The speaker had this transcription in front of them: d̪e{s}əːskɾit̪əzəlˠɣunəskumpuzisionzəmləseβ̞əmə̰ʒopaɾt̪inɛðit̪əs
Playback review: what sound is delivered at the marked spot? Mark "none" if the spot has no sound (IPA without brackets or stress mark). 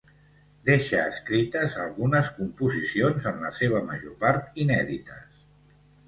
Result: ʃ